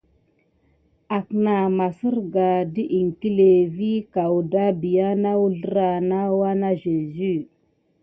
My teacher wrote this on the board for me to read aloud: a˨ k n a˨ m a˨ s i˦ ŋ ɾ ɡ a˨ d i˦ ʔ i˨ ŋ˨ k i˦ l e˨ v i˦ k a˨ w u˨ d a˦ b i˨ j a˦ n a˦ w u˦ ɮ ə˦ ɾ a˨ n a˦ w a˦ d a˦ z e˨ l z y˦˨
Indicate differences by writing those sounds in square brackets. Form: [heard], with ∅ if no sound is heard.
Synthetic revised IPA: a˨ k n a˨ m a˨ s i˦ [∅] ɾ ɡ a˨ d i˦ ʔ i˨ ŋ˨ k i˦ l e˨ v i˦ k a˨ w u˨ d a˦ b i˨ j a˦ n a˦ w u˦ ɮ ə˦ ɾ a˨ n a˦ w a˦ [n] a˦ [ʒ] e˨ [∅] z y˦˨

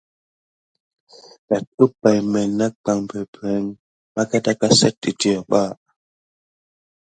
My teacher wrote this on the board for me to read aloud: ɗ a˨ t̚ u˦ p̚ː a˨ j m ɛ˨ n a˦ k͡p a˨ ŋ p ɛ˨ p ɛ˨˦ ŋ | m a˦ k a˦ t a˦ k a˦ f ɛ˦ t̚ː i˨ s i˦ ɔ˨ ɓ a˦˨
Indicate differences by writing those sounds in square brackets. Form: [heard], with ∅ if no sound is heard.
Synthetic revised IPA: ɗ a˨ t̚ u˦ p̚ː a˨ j m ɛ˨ n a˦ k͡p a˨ ŋ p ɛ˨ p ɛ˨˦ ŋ | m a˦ k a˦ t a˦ k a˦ [s] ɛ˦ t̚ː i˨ [t] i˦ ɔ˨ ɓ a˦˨

